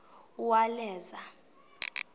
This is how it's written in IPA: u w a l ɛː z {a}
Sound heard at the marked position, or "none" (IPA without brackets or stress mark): a